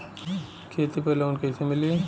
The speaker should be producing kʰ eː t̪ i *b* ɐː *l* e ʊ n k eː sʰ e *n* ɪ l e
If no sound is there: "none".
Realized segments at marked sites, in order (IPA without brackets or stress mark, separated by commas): p, l, m